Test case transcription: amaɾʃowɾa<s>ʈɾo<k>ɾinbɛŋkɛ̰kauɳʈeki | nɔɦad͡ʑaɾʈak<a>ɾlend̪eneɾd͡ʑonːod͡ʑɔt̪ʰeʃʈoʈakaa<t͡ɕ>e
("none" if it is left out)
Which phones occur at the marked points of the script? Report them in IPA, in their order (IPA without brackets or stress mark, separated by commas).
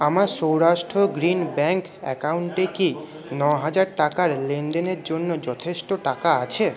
ʃ, ɡ, a, t͡ɕʰ